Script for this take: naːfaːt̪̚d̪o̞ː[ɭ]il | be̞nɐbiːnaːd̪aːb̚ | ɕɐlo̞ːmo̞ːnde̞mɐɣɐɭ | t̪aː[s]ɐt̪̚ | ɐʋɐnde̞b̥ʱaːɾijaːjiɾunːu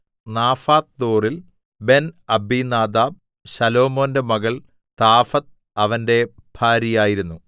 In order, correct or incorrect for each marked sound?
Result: incorrect, incorrect

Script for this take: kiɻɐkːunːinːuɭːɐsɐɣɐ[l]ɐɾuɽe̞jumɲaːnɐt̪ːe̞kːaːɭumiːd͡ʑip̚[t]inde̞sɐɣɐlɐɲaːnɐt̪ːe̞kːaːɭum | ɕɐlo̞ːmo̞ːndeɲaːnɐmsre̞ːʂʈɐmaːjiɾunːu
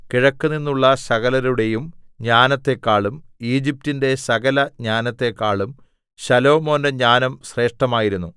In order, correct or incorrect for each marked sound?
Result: correct, correct

